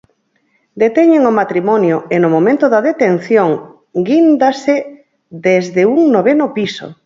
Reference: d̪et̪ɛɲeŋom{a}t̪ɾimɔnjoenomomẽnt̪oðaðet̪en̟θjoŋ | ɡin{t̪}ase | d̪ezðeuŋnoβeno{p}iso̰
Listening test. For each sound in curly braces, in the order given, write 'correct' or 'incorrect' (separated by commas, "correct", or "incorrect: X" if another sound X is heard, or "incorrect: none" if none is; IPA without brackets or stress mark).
correct, incorrect: d̪, correct